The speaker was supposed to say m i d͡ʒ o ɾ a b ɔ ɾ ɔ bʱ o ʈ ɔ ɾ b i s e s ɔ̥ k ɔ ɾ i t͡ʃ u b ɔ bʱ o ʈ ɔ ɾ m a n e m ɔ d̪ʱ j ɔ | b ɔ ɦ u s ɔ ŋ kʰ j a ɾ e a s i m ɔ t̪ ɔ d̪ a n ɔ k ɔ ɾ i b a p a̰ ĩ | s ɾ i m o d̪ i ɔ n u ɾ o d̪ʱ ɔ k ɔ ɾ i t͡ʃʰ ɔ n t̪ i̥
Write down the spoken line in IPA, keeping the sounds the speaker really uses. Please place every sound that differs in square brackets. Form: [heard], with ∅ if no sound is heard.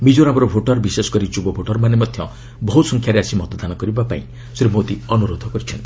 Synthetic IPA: m i d͡ʒ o ɾ a b ɔ ɾ ɔ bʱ o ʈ ɔ ɾ b i s e s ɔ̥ k ɔ ɾ i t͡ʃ u b ɔ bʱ o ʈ ɔ ɾ m a n e m ɔ d̪ʱ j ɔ | b ɔ ɦ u s ɔ ŋ kʰ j a ɾ e a s i m ɔ t̪ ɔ d̪ a n ɔ k ɔ ɾ i b a p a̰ ĩ | s ɾ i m o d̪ i ɔ n u ɾ o d̪ʱ ɔ k ɔ ɾ i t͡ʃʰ ɔ n t̪ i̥